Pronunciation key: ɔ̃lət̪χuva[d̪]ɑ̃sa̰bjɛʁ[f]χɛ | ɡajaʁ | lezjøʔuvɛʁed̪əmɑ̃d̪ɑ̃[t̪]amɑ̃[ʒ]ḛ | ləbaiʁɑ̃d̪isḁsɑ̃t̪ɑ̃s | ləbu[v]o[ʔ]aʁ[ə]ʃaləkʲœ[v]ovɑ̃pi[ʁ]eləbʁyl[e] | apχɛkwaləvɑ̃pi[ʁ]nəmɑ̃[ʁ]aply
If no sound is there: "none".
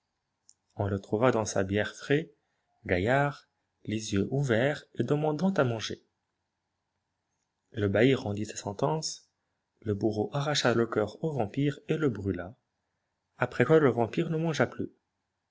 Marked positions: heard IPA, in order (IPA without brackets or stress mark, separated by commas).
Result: d̪, f, t̪, ʒ, ʁ, ʔ, a, ʁ, ʁ, a, ʁ, ʒ